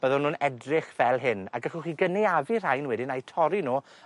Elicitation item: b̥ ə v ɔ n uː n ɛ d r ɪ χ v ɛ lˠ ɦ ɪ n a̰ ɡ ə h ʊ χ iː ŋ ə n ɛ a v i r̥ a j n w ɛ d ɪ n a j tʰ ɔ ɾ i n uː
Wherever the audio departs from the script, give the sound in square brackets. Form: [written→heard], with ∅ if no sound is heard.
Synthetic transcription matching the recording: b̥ ə [v→ð] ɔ n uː n ɛ d r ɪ χ v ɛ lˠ ɦ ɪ n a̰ ɡ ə [h→χ] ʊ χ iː [ŋ→ɡ] ə n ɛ a v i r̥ a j n w ɛ d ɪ n a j tʰ ɔ ɾ i n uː